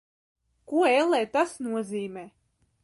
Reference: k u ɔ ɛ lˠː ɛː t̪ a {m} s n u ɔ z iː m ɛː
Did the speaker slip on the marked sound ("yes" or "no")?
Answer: yes